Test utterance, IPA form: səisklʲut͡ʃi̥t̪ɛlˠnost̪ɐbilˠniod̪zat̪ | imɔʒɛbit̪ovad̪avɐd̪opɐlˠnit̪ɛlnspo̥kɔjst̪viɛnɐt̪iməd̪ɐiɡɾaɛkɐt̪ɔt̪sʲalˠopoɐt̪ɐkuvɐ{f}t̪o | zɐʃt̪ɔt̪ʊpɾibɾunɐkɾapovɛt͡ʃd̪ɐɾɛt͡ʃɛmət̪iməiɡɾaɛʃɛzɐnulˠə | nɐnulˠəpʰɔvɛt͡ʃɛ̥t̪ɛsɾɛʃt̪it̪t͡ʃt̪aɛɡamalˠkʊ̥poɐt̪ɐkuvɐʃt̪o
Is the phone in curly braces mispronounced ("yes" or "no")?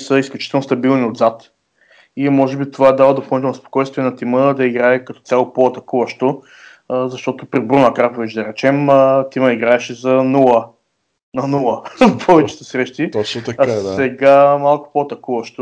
yes